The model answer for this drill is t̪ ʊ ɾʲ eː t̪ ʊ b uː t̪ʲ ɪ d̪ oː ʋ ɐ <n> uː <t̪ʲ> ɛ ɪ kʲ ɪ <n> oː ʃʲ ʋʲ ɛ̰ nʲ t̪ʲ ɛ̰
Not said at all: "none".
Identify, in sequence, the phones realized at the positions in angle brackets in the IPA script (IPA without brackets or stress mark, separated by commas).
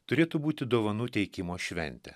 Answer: n, t̪ʲ, m